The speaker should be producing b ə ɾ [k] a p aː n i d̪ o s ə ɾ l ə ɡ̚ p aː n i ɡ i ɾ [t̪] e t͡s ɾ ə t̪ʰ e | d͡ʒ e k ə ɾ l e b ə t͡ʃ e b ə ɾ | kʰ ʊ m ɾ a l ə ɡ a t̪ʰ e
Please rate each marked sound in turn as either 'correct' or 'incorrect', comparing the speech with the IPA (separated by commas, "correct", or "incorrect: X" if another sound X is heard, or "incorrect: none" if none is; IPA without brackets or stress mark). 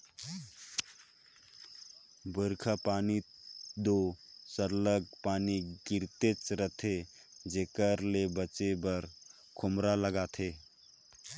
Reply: incorrect: kʰ, correct